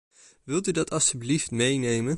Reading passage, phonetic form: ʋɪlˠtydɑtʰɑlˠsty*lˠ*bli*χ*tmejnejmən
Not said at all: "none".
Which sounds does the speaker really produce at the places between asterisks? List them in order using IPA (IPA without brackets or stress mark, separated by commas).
none, f